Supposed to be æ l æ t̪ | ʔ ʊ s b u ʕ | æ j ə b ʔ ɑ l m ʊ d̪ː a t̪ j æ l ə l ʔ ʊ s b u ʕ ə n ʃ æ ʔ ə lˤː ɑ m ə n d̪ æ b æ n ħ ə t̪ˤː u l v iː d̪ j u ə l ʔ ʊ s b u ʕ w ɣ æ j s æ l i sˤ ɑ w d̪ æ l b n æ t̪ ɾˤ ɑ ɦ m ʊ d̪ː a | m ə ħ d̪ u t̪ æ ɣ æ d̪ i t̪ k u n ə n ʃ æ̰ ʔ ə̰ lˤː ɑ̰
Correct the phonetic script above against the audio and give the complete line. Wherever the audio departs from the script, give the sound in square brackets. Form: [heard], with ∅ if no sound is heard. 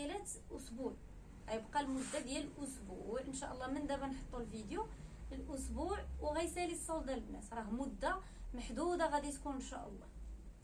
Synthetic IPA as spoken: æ l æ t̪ | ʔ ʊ s b u ʕ | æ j ə b [q] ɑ l m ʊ d̪ː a [d̪] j æ l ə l ʔ ʊ s b u ʕ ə n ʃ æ ʔ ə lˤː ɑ m ə n d̪ æ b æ n ħ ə t̪ˤː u l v [i] d̪ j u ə l ʔ ʊ s b u ʕ w ɣ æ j s æ l i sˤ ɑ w d̪ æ l b n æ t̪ ɾˤ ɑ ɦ m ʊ d̪ː a | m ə ħ d̪ u [d̪] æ ɣ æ d̪ i t̪ k u n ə n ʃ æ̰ ʔ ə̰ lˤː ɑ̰